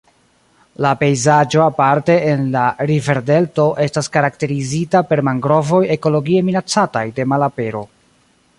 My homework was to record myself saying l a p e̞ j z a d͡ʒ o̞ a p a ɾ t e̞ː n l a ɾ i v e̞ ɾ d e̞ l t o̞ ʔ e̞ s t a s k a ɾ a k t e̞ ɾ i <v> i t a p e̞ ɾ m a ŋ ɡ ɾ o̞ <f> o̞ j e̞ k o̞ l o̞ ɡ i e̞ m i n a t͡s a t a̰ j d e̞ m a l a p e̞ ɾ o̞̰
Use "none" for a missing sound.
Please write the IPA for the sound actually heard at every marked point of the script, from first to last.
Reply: z, v

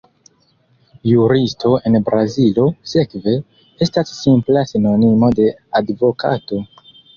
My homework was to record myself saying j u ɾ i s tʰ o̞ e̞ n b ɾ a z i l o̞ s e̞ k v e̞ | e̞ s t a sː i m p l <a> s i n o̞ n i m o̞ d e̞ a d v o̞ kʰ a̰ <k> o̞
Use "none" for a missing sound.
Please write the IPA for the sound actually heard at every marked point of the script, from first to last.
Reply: a, t

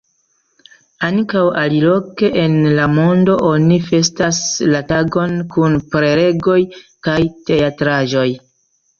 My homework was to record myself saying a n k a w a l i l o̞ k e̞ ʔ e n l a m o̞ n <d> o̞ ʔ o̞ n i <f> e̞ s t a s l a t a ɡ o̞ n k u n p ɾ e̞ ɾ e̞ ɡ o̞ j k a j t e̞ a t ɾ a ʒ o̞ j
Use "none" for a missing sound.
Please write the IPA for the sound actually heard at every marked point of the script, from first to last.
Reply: d, f

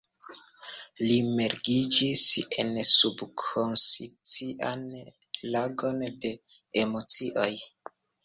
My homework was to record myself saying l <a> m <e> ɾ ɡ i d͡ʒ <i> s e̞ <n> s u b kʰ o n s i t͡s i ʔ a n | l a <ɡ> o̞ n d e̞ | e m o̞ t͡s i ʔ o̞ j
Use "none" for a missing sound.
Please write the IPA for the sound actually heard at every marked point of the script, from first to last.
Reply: i, e, i, n, ɡ

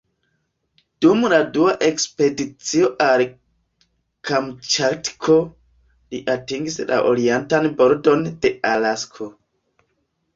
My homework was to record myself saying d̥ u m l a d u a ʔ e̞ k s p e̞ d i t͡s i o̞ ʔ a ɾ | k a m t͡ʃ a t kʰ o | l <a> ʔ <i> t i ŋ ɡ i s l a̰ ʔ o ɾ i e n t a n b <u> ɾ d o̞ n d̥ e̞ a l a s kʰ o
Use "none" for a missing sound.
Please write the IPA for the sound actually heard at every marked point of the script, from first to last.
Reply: i, a, o

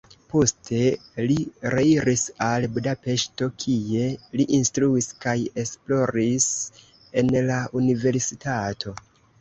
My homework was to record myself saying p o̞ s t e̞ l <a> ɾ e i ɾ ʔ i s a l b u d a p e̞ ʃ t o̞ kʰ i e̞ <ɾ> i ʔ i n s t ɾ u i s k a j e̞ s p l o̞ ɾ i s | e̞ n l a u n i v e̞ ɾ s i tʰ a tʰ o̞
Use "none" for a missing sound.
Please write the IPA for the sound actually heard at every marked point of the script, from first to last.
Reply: i, l

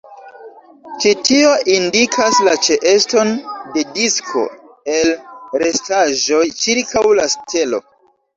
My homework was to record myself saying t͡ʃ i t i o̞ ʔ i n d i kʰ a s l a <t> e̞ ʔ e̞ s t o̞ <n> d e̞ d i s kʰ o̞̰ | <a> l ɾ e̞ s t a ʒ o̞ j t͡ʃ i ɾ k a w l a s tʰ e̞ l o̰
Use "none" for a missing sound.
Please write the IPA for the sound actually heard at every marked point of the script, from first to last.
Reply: t͡ʃ, n, e

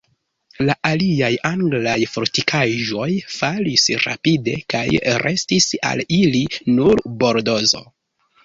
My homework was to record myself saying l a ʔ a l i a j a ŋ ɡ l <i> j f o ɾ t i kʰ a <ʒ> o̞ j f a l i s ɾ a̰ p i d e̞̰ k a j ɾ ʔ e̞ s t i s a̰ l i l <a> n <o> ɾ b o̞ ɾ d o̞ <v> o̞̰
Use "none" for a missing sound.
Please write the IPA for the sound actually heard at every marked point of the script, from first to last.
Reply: a, ʒ, i, u, z

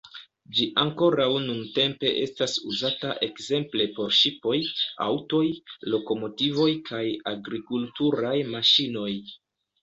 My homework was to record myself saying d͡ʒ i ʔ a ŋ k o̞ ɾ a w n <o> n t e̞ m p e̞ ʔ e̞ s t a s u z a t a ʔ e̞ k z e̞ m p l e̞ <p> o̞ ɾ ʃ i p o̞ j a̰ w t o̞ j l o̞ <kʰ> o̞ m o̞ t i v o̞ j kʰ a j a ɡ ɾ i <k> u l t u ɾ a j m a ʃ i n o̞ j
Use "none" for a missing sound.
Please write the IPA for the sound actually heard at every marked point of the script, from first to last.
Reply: u, p, k, k

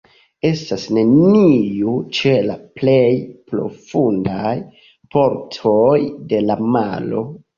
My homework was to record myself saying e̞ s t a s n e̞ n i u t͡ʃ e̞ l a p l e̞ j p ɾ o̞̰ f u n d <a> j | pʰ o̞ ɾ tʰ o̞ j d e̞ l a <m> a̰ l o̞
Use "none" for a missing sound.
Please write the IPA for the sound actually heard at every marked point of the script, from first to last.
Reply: a, m

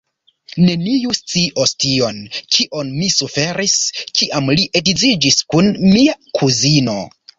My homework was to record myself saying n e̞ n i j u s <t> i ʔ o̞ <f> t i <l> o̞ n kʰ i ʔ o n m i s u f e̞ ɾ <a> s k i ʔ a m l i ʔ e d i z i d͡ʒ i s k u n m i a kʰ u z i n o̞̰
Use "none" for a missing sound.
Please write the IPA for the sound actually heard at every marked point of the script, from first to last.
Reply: t͡s, s, none, i

